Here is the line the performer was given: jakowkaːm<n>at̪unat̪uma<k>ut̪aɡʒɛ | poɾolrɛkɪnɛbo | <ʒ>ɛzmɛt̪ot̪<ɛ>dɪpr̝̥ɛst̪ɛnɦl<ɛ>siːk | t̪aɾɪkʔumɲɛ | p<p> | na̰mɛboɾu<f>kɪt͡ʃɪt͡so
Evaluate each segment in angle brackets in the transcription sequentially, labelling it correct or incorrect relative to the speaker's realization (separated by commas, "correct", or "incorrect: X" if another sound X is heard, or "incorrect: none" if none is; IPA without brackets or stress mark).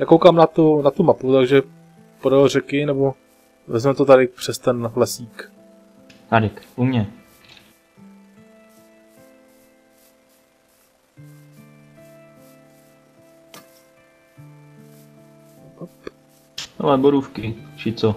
correct, incorrect: p, incorrect: v, incorrect: a, correct, correct, correct